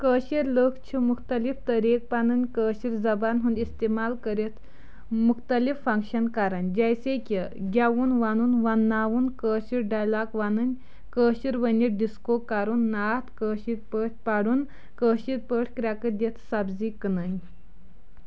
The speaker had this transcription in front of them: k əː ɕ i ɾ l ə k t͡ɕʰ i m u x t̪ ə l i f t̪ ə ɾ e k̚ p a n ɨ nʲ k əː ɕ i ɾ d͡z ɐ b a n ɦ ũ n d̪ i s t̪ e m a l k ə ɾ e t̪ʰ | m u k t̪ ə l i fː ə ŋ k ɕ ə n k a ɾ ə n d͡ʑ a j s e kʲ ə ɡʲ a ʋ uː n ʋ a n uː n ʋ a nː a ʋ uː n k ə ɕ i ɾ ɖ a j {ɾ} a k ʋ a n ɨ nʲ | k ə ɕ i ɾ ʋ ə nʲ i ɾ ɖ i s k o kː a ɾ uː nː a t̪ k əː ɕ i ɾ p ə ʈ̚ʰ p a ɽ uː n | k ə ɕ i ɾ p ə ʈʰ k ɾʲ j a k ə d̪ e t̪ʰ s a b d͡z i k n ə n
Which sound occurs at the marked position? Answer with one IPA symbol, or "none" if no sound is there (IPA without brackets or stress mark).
l